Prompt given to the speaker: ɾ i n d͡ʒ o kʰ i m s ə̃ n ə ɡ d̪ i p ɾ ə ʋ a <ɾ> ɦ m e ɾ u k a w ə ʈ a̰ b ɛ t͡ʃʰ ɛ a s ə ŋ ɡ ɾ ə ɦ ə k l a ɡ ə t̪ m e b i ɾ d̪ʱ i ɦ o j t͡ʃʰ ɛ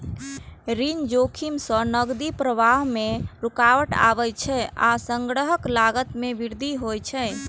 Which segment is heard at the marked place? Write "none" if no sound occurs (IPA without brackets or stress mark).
none